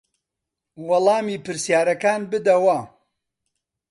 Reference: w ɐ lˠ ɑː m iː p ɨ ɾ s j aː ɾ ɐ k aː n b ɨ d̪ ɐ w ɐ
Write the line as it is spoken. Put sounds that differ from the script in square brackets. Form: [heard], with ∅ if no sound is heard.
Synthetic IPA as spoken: w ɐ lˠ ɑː m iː p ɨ ɾ s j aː ɾ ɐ k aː n b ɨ d̪ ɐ w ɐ